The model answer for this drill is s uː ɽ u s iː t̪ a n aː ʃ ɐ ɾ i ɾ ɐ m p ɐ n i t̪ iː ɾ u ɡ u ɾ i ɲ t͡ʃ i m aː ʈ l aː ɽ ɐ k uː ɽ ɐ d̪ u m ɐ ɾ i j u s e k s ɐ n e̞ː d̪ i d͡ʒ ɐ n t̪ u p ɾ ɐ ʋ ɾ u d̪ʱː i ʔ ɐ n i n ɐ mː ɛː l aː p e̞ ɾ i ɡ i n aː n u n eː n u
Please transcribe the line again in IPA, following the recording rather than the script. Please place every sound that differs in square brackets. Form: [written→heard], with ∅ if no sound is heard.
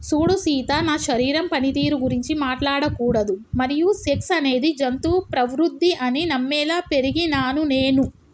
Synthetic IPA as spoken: s uː ɽ u s iː t̪ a n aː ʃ ɐ ɾ [i→iː] ɾ ɐ m p ɐ n i t̪ iː ɾ u ɡ u ɾ i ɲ t͡ʃ i m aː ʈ l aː ɽ ɐ k uː ɽ ɐ d̪ u m ɐ ɾ i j u s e k s ɐ n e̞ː d̪ i d͡ʒ ɐ n t̪ u p ɾ ɐ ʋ ɾ u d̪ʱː i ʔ ɐ n i n ɐ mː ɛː l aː p e̞ ɾ i ɡ i n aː n u n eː n u